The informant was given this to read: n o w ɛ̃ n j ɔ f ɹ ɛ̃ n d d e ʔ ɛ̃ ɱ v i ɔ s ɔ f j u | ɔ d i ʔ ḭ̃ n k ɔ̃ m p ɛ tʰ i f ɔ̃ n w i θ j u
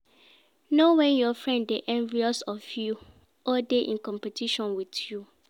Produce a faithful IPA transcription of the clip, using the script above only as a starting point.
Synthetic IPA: n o w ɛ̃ n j ɔ f ɹ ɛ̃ n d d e ʔ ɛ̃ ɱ v i ɔ s ɔ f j u | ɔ d e ʔ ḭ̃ n k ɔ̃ m p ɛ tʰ i ʃ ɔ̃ n w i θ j u